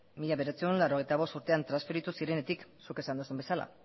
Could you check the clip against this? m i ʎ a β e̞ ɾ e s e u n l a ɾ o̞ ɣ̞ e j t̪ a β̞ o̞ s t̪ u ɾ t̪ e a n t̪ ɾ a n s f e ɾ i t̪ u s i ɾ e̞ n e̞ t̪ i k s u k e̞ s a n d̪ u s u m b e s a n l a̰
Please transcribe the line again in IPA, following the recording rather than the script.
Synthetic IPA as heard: m i ʎ a β e̞ ɾ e t͡s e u n l a ɾ o̞ ɣ̞ e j t̪ a β̞ o̞ s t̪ u ɾ t̪ e a n t̪ ɾ a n s f e ɾ i t̪ u s i ɾ e̞ n e̞ t̪ i k s u k e̞ s a n d̪ u s u m b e s a l a̰